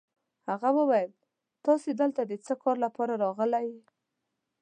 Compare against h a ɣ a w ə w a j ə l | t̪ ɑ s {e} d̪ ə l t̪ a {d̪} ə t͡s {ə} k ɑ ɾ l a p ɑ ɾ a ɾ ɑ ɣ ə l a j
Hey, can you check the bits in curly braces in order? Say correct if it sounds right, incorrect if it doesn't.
correct, correct, correct

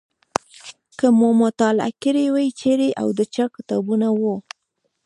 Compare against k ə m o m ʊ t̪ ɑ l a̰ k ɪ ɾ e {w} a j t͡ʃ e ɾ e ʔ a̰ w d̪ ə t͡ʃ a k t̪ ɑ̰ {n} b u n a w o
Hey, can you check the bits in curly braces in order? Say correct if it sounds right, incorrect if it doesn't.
correct, incorrect

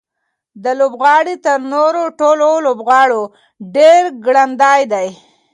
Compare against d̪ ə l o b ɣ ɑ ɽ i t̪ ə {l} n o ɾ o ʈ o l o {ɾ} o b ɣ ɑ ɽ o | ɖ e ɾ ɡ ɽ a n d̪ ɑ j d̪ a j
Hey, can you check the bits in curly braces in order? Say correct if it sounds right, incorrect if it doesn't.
incorrect, incorrect

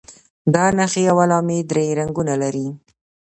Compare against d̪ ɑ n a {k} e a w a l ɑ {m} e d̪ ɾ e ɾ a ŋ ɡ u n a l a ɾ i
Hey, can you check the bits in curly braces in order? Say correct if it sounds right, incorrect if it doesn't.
incorrect, correct

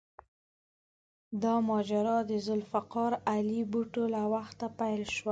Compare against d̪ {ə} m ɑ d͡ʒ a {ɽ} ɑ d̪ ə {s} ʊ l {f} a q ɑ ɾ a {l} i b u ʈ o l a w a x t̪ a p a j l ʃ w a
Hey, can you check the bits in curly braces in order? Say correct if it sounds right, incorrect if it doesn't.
incorrect, incorrect, incorrect, correct, correct

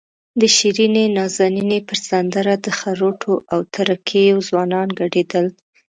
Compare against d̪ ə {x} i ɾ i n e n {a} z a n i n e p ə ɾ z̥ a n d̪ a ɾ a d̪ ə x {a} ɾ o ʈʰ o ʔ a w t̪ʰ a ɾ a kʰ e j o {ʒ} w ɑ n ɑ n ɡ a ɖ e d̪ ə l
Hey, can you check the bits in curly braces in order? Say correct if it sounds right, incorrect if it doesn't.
incorrect, incorrect, correct, incorrect

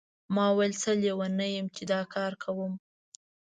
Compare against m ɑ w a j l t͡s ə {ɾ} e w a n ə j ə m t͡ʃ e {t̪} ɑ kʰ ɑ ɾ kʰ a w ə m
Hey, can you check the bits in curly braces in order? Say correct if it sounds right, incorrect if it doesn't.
incorrect, incorrect

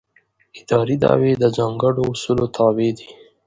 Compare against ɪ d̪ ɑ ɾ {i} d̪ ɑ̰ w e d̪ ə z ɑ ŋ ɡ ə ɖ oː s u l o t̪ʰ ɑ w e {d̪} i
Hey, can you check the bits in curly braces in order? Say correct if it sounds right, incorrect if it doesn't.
correct, correct

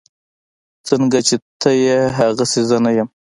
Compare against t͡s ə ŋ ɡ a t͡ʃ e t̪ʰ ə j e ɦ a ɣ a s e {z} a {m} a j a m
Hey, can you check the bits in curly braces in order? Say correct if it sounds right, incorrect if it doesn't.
correct, incorrect

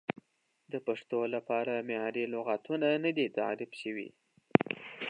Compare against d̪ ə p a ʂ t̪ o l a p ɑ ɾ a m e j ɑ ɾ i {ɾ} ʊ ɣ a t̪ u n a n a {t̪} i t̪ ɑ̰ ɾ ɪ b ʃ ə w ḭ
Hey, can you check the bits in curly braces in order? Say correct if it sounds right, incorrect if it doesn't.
incorrect, incorrect

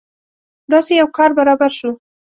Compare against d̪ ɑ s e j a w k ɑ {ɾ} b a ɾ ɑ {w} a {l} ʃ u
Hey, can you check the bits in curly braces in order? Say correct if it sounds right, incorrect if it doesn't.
correct, incorrect, incorrect

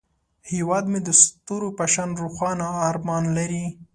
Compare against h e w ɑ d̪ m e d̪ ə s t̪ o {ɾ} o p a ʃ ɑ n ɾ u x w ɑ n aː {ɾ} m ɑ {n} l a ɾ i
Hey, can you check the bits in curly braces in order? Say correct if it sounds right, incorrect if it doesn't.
correct, correct, correct

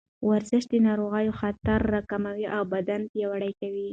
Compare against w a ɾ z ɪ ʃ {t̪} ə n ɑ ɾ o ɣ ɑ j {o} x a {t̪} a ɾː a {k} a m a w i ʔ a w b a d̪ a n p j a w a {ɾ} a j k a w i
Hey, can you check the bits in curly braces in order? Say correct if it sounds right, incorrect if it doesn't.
incorrect, correct, correct, correct, incorrect

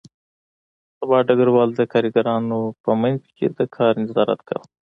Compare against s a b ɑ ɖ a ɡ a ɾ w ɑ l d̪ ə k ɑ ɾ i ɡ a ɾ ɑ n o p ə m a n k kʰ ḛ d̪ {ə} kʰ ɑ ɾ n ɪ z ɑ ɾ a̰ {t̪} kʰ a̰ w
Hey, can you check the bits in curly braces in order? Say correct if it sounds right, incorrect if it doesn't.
correct, correct

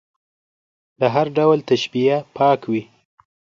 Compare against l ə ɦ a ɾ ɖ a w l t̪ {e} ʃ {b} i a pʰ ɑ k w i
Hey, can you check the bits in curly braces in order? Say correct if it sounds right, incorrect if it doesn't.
incorrect, correct

